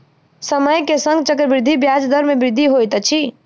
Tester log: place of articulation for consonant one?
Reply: alveolar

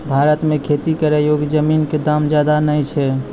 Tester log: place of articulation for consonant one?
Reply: labial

